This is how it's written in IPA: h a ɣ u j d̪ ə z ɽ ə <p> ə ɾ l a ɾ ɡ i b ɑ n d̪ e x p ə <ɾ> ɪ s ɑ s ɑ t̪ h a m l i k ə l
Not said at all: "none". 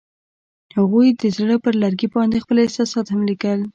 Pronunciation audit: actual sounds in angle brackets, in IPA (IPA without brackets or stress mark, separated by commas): p, l